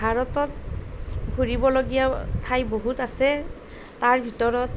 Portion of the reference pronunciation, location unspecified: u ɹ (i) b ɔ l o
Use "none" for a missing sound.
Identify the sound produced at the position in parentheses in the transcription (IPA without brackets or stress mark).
i